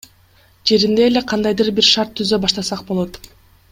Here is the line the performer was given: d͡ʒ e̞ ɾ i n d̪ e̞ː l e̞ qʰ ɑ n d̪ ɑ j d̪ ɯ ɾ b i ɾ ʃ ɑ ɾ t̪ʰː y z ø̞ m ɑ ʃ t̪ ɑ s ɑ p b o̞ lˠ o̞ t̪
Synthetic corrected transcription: d͡ʒ e̞ ɾ i n d̪ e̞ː l e̞ qʰ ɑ n d̪ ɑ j d̪ ɯ ɾ b i ɾ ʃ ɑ ɾ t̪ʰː y z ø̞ b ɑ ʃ t̪ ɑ s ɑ q b o̞ lˠ o̞ t̪

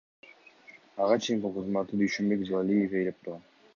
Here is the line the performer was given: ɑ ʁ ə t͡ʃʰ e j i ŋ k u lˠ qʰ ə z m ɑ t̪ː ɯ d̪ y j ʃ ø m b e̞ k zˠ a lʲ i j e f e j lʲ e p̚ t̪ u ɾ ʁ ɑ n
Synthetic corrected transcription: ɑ ʁ ɑ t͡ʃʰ e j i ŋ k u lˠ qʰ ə z m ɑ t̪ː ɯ d̪ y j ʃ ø m b e̞ k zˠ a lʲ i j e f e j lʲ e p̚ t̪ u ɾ ʁ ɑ n

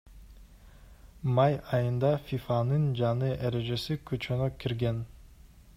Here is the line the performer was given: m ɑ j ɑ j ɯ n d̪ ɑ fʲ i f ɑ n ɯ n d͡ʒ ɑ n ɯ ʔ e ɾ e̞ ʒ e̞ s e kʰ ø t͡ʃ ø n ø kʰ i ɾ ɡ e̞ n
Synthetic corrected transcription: m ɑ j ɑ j ɯ n d̪ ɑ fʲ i f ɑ n ɯ n d͡ʒ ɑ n ɯ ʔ e ɾ e̞ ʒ e̞ s i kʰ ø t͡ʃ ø n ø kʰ i ɾ ɡ e̞ n

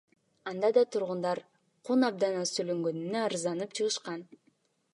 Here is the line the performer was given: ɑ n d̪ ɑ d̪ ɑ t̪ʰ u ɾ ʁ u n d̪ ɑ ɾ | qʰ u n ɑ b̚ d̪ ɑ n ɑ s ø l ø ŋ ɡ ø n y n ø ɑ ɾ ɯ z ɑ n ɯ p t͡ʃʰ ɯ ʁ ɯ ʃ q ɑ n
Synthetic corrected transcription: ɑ n d̪ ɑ d̪ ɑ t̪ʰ u ɾ ʁ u n d̪ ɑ ɾ | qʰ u n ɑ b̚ d̪ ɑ n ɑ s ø l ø ŋ ɡ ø n y n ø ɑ ɾ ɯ z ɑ n ɯ p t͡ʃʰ ɯ ʁ ɯ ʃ q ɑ n

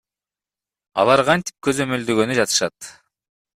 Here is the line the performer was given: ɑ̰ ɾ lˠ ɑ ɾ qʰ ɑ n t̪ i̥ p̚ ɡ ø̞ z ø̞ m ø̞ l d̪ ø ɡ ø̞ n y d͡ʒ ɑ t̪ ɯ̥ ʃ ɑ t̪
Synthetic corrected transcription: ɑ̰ lˠ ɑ ɾ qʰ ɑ n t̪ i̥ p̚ k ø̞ z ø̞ m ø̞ l d̪ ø ɡ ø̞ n y d͡ʒ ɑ t̪ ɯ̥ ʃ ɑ t̪

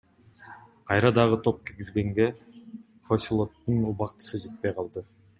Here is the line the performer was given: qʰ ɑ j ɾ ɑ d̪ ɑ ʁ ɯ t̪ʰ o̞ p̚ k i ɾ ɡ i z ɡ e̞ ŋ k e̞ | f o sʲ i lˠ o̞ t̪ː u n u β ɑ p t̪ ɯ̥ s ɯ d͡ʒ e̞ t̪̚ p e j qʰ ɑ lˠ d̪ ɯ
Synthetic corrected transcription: qʰ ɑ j ɾ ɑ d̪ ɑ ʁ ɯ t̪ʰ o̞ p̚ k i ɾ ɡ i z ɡ e̞ ŋ ɡ e̞ | f o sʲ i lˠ o̞ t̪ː u n u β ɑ q t̪ ɯ̥ s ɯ d͡ʒ e̞ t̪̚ p e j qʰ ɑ lˠ d̪ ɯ

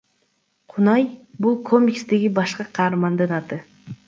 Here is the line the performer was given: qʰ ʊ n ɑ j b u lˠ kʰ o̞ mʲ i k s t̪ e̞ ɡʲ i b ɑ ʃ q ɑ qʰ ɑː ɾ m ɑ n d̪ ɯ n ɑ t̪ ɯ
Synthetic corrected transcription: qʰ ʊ n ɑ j b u lˠ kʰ o̞ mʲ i k s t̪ e̞ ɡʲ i b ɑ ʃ q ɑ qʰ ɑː ɾ m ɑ n d̪ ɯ n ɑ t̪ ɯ

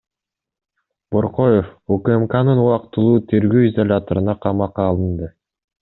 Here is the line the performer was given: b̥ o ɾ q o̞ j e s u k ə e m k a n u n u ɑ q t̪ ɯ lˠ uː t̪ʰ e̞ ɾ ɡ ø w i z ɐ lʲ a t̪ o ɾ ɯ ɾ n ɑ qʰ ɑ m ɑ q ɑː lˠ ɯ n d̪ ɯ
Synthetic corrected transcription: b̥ o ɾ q o̞ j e f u k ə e m k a n ɯ n u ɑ q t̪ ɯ lˠ uː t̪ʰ e̞ ɾ ɡ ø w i z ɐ lʲ a t̪ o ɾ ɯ n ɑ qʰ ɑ m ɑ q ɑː lˠ ɯ n d̪ ɯ

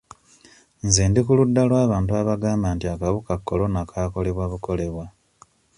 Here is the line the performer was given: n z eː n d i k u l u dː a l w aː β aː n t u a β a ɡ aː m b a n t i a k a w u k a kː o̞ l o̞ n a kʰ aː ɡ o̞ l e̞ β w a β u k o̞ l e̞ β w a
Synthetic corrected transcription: n z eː n d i k u l u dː a l w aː β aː n t u a β a ɡ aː m b a n t i a k a β u k a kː o̞ l o̞ n a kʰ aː k o̞ l e̞ β w a β u k o̞ l e̞ β w a

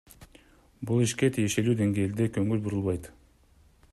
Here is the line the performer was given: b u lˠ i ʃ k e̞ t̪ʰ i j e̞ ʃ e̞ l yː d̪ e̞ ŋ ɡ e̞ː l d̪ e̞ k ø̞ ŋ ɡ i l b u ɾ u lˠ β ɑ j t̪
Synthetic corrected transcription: b u lˠ i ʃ k e̞ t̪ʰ i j e̞ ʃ e̞ l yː d̪ e̞ ŋ ɡ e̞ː l d̪ e̞ k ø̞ ŋ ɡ y l b u ɾ u lˠ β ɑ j t̪

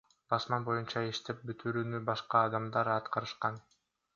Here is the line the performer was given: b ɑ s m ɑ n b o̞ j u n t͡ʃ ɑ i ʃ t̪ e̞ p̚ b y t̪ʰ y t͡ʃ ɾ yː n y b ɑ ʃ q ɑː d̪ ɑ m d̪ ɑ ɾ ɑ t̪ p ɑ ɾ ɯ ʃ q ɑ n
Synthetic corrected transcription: b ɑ s m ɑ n b o̞ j u n t͡ʃ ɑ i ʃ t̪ e̞ p̚ b y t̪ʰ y ɾ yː n y b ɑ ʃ q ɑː d̪ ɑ m d̪ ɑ ɾ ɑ t̪ q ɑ ɾ ɯ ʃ q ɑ n

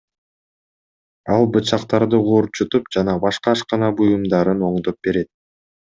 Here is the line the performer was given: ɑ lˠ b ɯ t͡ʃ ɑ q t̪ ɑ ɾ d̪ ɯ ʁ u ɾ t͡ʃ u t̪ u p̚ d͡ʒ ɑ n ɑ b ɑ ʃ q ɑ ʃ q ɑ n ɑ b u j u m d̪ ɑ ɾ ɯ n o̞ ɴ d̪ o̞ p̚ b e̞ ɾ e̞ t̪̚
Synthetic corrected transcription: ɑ lˠ b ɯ t͡ʃ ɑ q t̪ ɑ ɾ d̪ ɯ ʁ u ɾ t͡ʃ u t̪ u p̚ d͡ʒ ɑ n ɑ b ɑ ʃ q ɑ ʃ q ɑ n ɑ b u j u m d̪ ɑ ɾ ɯ n o̞ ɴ d̪ o̞ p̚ b e̞ ɾ e̞ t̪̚

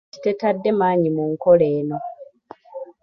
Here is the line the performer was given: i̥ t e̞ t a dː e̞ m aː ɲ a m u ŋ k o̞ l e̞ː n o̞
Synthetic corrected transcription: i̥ t e̞ t a dː e̞ m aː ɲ i m u ŋ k o̞ l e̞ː n o̞

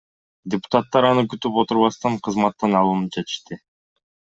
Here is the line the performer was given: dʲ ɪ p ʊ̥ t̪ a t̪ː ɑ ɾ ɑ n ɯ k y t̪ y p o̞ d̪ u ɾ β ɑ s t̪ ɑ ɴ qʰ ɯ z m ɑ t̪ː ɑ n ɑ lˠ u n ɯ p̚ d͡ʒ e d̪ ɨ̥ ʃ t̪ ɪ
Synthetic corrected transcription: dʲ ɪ p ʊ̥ t̪ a t̪ː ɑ ɾ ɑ n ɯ k y t̪ y p o̞ t̪ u ɾ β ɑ s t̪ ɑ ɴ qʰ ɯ z m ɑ t̪ː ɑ n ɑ lˠ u n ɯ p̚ d͡ʒ e t̪ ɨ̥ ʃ t̪ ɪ

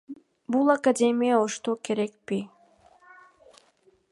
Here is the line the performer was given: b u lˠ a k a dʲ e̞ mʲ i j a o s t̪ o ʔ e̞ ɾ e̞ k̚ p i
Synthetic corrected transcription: b u lˠ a k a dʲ e̞ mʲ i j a o ʃ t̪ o k e̞ ɾ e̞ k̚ p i

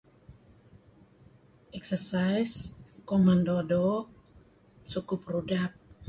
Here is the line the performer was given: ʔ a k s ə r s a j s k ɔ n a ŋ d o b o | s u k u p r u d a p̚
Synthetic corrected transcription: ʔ ɛ k s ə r s a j s k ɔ m a n d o d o | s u k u p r u d a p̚

